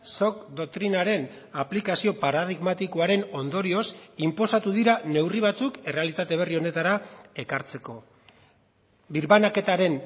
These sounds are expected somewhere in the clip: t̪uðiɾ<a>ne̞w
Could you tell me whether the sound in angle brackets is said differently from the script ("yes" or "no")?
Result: no